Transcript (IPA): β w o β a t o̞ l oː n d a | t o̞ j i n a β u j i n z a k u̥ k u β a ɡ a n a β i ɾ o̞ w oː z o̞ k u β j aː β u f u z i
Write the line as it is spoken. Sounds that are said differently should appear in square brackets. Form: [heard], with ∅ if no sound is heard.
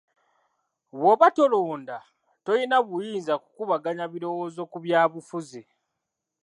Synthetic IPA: β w o β a t o̞ l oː n d a | t o̞ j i n a β u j [iː] n z a k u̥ k u β a ɡ a [ɲ] a β i ɾ o̞ w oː z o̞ k u β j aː β u f u z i